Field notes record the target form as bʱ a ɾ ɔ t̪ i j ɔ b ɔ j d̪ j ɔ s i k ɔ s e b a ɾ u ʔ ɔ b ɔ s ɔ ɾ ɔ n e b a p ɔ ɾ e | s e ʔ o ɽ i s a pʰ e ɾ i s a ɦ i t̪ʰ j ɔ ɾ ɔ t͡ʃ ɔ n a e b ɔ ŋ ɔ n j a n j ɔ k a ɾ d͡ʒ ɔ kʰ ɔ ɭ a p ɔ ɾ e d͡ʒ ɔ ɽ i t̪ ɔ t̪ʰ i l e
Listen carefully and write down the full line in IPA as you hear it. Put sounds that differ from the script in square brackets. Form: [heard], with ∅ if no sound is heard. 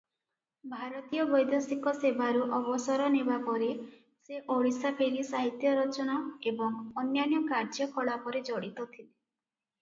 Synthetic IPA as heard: bʱ a ɾ ɔ t̪ i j ɔ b ɔ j d̪ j ɔ s i k ɔ s e b a ɾ u ʔ ɔ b ɔ s ɔ ɾ ɔ n e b a p ɔ ɾ e | s e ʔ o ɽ i s a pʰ e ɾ i s a ɦ i [t̪] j ɔ ɾ ɔ t͡ʃ ɔ n a e b ɔ ŋ ɔ n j a n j ɔ k a ɾ d͡ʒ ɔ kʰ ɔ ɭ a p ɔ ɾ e d͡ʒ ɔ ɽ i t̪ ɔ t̪ʰ i l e

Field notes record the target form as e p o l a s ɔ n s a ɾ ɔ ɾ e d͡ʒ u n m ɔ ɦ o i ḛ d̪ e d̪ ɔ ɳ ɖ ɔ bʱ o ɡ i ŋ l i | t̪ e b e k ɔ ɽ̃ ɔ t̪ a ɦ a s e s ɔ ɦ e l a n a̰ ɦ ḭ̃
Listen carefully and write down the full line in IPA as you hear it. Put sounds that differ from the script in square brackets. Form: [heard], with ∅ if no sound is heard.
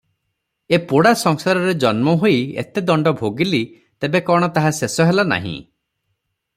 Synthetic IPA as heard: e p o [ɽ] a s ɔ [ŋ] s a ɾ ɔ ɾ e d͡ʒ [ɔ] n m ɔ ɦ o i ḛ [t̪] e d̪ ɔ ɳ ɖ ɔ bʱ o ɡ i [∅] l i | t̪ e b e k ɔ ɽ̃ ɔ t̪ a ɦ a s e s ɔ ɦ e l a n a̰ ɦ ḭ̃

